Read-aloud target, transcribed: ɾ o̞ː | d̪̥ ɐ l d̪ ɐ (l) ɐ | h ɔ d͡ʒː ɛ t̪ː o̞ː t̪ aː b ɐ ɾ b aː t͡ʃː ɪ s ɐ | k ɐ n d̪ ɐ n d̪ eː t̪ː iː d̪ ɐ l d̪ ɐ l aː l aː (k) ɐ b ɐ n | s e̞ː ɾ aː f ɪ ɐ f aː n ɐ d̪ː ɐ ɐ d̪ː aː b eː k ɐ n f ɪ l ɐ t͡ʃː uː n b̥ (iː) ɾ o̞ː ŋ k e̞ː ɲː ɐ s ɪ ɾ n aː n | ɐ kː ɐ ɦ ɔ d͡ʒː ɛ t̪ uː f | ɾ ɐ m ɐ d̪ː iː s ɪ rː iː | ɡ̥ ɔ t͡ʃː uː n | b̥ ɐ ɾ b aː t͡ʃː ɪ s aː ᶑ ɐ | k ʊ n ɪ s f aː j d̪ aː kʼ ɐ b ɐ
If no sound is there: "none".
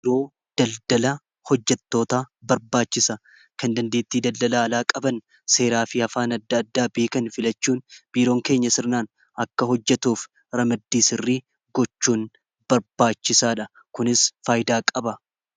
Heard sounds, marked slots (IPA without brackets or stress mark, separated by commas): l, kʼ, iː